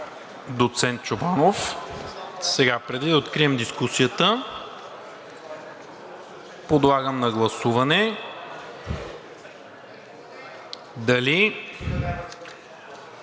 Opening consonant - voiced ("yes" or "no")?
yes